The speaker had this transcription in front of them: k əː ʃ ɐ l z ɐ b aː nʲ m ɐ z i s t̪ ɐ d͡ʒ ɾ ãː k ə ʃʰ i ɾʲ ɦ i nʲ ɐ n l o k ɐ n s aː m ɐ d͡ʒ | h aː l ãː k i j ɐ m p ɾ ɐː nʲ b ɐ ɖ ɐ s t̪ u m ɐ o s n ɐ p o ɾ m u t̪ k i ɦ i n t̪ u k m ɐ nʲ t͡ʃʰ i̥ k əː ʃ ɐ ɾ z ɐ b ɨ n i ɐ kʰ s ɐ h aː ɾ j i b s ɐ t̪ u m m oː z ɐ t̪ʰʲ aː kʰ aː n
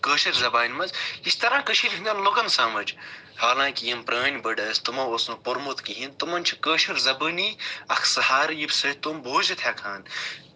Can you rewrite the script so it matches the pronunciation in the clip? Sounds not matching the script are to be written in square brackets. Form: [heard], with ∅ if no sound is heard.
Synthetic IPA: k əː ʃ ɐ [ɾ] z ɐ b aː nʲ m ɐ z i s t̪ ɐ [∅] ɾ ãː k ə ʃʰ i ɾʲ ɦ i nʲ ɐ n l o k ɐ n s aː m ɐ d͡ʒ | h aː l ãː k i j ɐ m p ɾ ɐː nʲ b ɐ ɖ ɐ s t̪ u m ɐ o s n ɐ p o ɾ m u t̪ k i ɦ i n t̪ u [∅] m ɐ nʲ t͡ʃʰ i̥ k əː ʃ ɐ ɾ z ɐ b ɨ n i ɐ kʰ s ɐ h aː ɾ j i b s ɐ t̪ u m [b] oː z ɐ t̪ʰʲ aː kʰ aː n